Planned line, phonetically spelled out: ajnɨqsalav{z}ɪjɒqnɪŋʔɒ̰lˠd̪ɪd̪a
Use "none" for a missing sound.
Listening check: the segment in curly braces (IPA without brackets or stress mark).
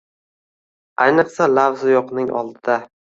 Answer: z